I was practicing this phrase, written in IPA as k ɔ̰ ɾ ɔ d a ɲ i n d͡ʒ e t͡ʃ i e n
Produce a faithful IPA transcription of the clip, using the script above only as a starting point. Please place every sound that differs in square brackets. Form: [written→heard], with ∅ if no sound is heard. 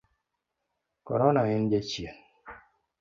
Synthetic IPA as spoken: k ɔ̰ ɾ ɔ [d→n] a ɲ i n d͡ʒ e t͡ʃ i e n